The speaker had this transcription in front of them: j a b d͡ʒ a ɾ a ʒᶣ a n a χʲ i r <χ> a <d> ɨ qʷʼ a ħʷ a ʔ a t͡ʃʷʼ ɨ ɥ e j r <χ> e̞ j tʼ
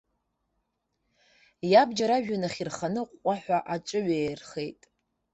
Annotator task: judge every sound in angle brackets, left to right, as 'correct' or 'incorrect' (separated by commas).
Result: correct, incorrect, correct